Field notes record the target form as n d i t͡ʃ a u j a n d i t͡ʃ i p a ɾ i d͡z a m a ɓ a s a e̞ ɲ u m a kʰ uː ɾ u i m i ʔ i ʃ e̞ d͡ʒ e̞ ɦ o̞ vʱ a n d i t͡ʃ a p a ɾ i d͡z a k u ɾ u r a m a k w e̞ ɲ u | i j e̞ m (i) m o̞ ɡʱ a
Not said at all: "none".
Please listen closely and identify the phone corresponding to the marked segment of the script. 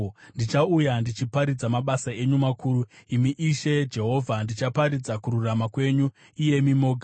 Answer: i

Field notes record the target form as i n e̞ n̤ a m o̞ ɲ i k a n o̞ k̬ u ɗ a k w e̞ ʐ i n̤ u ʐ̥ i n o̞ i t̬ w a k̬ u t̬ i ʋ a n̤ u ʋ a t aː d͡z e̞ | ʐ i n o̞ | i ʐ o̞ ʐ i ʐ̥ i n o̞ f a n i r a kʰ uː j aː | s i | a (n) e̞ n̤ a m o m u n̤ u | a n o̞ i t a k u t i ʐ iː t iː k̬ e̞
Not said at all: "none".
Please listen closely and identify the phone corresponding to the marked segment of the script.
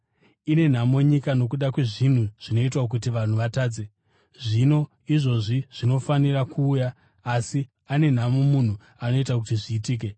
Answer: n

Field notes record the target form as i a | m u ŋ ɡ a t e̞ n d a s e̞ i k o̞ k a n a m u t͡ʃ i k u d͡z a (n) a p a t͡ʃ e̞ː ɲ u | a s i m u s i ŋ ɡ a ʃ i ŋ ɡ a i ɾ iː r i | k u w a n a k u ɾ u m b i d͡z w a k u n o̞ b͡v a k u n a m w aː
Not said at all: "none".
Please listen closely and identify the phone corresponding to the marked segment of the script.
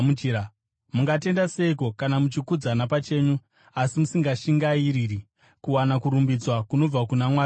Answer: n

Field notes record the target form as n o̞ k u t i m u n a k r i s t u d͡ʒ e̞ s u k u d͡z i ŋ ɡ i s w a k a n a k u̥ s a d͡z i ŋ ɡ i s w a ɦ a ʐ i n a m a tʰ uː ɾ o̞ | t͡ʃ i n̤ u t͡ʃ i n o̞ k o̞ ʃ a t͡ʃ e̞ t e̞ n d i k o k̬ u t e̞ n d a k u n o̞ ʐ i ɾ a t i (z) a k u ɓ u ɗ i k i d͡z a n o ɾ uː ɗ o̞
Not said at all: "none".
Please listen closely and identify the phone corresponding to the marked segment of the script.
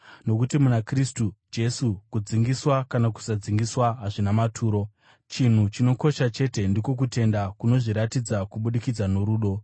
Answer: d͡z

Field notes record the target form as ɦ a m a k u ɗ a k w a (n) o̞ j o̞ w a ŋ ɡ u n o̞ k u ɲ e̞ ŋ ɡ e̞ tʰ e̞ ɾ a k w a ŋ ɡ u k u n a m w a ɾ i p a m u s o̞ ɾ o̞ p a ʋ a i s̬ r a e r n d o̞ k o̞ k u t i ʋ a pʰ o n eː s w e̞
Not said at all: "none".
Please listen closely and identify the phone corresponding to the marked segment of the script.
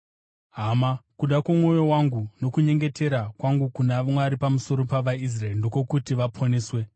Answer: m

